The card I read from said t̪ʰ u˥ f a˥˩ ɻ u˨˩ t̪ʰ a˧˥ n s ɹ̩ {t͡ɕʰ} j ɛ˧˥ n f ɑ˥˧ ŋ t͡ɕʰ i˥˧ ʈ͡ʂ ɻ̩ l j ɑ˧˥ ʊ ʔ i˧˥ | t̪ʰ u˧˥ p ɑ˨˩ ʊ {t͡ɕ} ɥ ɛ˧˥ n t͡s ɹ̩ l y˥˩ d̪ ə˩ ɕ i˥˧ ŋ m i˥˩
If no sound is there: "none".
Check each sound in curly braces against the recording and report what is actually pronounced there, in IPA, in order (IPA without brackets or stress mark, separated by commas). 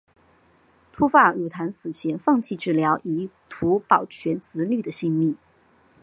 t͡ɕʰ, t͡ɕʰ